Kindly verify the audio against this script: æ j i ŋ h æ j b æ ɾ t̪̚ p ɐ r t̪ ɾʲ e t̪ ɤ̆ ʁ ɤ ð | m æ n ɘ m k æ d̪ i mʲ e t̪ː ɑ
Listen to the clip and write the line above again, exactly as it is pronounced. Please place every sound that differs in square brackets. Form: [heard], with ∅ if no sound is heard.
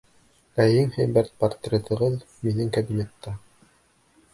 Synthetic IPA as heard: æ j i ŋ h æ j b æ ɾ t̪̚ p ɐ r t̪ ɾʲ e t̪ ɤ̆ ʁ ɤ ð | m [i] n ɘ [ŋ] k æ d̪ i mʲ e t̪ː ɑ

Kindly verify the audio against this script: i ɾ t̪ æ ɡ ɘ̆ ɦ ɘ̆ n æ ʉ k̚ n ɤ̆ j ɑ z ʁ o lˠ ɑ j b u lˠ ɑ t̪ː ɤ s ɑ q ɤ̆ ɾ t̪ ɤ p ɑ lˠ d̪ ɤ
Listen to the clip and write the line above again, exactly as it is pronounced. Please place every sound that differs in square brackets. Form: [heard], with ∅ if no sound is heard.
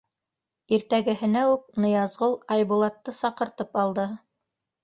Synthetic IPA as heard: i ɾ t̪ æ ɡ ɘ̆ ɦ ɘ̆ n æ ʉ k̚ n ɤ̆ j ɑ z ʁ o lˠ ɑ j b u lˠ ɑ t̪ː ɤ s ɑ q ɤ̆ ɾ t̪ ɤ p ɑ lˠ d̪ ɤ

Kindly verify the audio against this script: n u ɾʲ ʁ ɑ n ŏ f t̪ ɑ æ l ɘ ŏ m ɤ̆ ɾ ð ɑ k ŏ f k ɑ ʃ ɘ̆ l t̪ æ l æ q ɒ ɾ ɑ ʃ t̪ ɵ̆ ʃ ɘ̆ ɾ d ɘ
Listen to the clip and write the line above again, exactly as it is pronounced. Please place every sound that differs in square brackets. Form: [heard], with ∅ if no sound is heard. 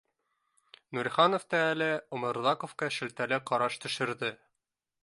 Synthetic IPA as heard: n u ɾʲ [χ] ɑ n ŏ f t̪ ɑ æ l ɘ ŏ m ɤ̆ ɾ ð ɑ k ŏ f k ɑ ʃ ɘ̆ l t̪ æ l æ q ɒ ɾ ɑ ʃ t̪ ɵ̆ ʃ ɘ̆ ɾ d ɘ

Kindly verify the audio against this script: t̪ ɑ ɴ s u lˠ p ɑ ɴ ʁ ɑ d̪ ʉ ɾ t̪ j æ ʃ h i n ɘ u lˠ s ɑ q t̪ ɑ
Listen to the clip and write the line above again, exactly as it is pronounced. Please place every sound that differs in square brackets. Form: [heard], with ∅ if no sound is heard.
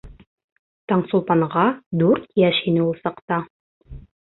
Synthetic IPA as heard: t̪ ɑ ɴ s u lˠ p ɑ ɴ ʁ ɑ d̪ ʉ ɾ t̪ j æ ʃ h i n ɘ u lˠ s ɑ q t̪ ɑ

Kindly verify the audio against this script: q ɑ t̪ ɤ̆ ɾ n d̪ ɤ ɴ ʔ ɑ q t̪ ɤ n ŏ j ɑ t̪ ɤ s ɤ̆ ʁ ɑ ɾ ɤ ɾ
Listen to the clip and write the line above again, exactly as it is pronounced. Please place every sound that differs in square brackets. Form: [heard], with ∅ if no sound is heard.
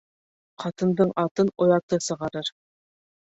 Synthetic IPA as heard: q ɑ t̪ ɤ̆ [∅] n d̪ ɤ ɴ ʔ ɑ [∅] t̪ ɤ n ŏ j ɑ t̪ ɤ s ɤ̆ ʁ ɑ ɾ ɤ ɾ

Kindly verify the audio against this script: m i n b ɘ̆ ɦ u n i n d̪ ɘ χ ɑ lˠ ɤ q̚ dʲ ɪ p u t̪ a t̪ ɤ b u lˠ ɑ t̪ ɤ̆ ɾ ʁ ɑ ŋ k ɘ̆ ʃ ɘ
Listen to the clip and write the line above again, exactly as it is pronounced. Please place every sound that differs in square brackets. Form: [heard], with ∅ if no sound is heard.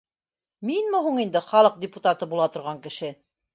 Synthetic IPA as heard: m i n [m] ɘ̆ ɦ u [ɴ] i n d̪ ɘ χ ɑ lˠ ɤ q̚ dʲ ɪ p u t̪ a t̪ ɤ b u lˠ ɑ t̪ [ŏ] ɾ ʁ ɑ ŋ k ɘ̆ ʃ ɘ

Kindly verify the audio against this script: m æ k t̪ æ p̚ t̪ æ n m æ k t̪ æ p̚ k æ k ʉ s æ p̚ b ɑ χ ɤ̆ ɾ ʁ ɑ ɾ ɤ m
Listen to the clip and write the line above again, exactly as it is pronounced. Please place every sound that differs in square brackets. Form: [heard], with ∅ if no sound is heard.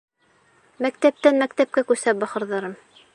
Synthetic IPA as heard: m æ k t̪ æ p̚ t̪ æ n m æ k t̪ æ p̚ k æ k ʉ s æ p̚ b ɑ χ ɤ̆ ɾ [ð] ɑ ɾ ɤ m

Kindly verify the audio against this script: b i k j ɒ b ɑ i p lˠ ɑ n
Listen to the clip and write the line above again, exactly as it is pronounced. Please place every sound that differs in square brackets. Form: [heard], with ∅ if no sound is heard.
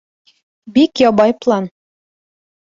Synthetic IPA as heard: b i k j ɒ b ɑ [j] p lˠ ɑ n

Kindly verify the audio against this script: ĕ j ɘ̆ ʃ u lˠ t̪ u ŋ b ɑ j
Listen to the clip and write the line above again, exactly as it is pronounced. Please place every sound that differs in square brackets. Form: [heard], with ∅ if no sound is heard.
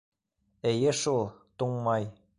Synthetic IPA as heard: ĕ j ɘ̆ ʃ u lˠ t̪ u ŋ [m] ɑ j

